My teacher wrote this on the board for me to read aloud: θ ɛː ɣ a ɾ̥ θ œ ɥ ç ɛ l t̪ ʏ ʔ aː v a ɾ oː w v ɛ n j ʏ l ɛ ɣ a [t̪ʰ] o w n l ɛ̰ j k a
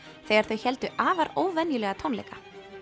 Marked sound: correct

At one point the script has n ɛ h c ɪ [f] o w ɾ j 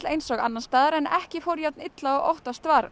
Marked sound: correct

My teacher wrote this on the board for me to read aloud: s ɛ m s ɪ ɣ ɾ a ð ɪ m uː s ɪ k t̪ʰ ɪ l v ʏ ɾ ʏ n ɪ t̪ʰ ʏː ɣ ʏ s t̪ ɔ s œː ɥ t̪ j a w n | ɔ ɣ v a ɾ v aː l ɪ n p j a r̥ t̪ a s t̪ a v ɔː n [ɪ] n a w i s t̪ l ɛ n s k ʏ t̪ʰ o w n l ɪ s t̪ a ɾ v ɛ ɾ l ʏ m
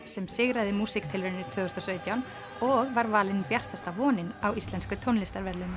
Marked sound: correct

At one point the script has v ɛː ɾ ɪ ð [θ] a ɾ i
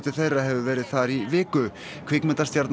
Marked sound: correct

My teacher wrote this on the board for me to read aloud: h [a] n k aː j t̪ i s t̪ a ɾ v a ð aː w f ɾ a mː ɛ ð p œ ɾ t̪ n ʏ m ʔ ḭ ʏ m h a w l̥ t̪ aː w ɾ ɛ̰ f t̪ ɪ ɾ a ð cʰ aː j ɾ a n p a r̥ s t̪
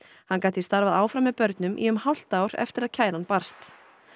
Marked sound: correct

